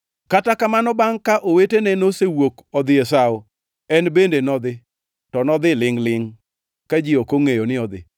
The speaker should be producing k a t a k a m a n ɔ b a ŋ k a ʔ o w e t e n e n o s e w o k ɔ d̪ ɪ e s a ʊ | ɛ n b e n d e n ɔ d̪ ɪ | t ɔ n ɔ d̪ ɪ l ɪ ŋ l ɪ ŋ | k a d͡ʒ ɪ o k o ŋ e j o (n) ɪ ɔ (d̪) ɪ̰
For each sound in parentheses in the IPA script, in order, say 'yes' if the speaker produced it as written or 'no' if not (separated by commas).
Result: yes, yes